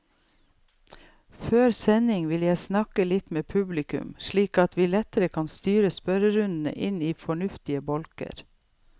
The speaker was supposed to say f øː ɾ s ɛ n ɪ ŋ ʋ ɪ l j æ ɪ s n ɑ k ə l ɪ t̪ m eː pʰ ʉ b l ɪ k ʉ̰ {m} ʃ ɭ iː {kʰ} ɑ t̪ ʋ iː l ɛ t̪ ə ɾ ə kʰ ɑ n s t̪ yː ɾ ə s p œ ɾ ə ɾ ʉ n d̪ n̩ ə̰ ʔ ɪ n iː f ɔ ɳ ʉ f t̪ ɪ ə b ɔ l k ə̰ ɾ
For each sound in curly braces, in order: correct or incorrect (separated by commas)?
correct, incorrect